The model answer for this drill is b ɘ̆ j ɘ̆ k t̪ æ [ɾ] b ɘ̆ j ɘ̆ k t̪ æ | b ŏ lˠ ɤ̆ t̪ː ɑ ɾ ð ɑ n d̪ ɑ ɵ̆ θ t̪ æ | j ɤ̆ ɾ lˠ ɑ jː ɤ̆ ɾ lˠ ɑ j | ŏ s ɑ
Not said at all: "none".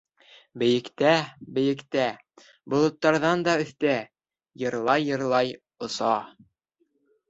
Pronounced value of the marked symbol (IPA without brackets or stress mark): none